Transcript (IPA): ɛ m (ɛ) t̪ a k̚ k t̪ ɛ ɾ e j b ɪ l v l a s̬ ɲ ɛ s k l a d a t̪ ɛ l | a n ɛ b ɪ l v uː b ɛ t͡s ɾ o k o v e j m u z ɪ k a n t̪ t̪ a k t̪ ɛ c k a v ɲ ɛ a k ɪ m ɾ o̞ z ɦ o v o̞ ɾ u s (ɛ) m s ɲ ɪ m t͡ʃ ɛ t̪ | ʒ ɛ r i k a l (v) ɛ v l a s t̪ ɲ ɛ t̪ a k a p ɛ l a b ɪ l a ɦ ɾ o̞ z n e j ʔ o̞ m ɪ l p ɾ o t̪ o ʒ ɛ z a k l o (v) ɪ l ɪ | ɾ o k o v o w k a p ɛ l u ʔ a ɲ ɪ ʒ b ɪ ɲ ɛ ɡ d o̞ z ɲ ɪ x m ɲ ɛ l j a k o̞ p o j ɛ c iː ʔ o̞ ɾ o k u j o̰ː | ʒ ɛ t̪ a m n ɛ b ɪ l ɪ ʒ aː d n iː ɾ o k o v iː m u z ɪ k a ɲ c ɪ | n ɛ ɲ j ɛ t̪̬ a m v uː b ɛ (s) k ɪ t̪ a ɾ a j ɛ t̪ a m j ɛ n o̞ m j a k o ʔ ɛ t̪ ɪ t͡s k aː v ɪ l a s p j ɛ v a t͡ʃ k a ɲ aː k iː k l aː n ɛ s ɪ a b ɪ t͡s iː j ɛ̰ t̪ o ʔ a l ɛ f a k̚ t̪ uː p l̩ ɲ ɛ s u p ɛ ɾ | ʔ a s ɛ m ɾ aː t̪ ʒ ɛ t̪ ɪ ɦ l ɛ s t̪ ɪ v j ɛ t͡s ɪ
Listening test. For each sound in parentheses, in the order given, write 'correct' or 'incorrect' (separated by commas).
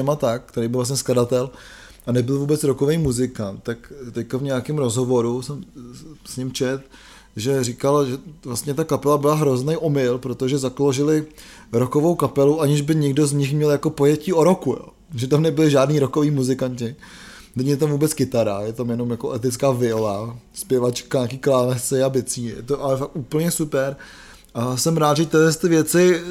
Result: incorrect, correct, incorrect, incorrect, incorrect